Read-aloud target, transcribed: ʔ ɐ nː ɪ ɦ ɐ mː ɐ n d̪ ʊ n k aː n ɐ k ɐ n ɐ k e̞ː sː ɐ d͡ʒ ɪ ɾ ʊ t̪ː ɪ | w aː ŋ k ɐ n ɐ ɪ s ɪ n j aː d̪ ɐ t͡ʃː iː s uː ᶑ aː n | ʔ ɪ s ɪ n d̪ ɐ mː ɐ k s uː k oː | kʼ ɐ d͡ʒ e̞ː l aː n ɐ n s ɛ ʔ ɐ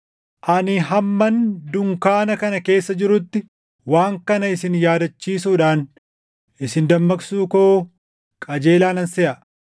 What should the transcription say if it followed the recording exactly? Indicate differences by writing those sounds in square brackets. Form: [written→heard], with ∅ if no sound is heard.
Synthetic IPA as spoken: ʔ ɐ [nː→n] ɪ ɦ ɐ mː ɐ n d̪ ʊ [n→ŋ] k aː n ɐ k ɐ n ɐ k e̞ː sː ɐ d͡ʒ ɪ ɾ ʊ t̪ː ɪ | w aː ŋ k ɐ n ɐ ɪ s ɪ n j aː d̪ ɐ t͡ʃː iː s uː ᶑ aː n | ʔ ɪ s ɪ n d̪ ɐ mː ɐ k s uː k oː | kʼ ɐ d͡ʒ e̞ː l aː n ɐ n s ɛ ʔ ɐ